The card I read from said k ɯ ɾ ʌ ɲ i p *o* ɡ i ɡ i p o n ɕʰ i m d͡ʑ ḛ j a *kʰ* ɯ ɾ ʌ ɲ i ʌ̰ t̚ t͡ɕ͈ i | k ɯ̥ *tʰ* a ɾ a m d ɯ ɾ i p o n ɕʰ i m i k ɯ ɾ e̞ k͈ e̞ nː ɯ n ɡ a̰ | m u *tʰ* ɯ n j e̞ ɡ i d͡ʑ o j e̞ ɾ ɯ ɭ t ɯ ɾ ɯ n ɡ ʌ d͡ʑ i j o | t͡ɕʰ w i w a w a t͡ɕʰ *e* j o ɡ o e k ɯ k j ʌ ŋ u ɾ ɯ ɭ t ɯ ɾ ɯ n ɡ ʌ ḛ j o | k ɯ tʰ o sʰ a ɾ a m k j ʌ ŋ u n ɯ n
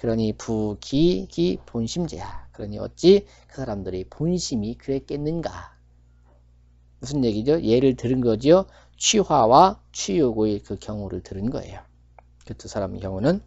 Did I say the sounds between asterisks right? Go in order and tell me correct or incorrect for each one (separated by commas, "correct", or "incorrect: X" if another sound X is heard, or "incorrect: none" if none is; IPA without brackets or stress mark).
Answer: incorrect: u, incorrect: k, incorrect: sʰ, incorrect: sʰ, incorrect: i